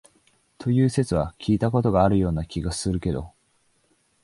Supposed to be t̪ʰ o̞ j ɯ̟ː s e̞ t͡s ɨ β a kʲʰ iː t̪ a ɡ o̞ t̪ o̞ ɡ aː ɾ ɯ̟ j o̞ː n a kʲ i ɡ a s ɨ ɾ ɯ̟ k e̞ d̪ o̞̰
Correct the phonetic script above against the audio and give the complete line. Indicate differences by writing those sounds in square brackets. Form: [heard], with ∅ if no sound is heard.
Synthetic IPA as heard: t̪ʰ o̞ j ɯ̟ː s e̞ t͡s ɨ β a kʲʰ iː t̪ a [k] o̞ t̪ o̞ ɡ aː ɾ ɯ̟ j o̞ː n a kʲ i ɡ a s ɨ ɾ ɯ̟ k e̞ d̪ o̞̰